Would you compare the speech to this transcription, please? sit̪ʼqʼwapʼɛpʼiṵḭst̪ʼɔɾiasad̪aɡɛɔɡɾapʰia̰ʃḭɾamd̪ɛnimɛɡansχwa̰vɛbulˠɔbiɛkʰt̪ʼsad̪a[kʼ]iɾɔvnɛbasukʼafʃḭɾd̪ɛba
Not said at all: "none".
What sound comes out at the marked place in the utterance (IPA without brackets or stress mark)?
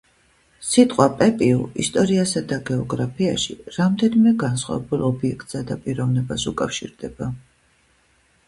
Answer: pʼ